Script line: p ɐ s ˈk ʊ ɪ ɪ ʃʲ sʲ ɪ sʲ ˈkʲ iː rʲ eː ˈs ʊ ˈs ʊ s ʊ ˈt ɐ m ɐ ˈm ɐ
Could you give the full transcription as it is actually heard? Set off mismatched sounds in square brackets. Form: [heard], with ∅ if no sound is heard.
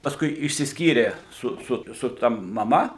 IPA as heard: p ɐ s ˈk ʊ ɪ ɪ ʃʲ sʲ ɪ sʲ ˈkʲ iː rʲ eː ˈs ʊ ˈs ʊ s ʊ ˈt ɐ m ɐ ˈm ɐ